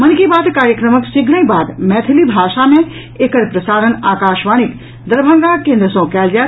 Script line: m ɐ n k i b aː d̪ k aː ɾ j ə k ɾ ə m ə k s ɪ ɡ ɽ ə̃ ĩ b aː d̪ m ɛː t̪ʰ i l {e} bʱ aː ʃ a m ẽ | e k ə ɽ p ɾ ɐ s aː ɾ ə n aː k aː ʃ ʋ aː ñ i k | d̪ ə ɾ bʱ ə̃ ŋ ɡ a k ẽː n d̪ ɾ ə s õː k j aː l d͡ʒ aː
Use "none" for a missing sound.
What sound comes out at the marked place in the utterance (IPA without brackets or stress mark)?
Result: i